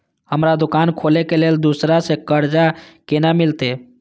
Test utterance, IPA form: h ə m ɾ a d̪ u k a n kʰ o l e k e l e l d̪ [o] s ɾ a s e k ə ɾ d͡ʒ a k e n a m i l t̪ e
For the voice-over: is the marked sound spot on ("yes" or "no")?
no